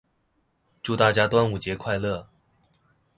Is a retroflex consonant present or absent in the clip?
present